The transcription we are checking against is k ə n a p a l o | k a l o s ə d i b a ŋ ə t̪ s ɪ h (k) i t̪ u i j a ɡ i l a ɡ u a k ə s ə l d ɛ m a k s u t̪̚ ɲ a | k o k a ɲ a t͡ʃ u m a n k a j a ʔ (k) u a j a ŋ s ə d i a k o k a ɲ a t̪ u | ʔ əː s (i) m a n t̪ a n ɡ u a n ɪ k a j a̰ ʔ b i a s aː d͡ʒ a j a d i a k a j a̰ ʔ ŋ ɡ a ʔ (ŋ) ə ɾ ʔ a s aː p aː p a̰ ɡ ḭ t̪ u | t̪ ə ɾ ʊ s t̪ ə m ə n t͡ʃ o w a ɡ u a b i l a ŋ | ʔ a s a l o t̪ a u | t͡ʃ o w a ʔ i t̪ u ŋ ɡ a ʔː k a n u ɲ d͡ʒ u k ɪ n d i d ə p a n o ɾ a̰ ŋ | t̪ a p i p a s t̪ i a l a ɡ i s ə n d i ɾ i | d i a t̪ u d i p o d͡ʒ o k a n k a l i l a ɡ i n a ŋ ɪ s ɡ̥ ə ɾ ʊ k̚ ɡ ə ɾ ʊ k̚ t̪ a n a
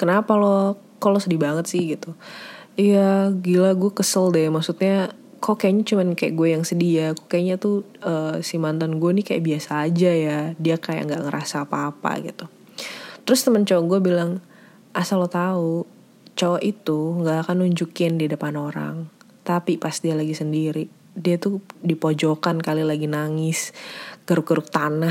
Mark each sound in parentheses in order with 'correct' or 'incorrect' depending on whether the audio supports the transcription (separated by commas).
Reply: incorrect, incorrect, correct, correct